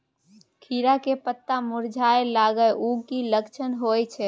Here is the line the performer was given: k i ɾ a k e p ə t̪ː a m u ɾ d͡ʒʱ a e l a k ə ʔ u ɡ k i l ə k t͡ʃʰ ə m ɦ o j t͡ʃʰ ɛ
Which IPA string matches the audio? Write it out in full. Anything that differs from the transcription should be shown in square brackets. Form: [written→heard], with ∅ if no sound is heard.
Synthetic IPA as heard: [k→kʰ] i ɾ a k e p ə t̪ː a m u ɾ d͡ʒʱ a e l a [k→ɡ] ə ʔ u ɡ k i l ə k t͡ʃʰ ə [m→n] ɦ o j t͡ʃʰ ɛ